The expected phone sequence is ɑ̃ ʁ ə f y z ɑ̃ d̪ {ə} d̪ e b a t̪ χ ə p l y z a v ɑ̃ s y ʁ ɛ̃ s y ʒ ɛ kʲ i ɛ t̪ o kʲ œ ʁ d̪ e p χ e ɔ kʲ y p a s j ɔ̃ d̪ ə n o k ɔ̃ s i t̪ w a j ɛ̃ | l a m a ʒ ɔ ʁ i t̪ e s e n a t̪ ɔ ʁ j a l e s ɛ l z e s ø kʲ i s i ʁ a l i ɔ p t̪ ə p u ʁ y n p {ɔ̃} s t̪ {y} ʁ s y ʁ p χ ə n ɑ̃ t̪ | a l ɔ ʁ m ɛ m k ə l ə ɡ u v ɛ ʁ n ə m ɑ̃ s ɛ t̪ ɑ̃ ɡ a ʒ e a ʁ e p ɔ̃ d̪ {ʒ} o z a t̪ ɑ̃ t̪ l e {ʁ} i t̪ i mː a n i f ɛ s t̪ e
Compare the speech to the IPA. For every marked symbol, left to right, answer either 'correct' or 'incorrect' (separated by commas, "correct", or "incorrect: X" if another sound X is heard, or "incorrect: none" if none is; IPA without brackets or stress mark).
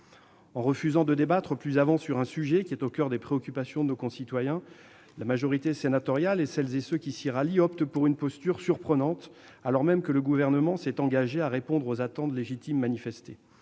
correct, incorrect: ɔ, correct, incorrect: ʁ, incorrect: ʒ